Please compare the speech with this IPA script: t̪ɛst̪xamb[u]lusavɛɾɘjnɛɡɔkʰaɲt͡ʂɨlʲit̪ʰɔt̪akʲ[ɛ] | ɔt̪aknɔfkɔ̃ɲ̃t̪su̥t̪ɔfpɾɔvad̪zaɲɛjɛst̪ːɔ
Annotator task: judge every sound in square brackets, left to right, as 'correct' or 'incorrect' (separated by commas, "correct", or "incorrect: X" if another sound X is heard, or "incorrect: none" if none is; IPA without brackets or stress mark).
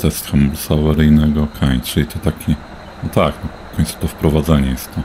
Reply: correct, incorrect: i